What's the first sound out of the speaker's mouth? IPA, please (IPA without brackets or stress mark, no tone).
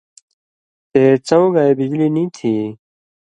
t̪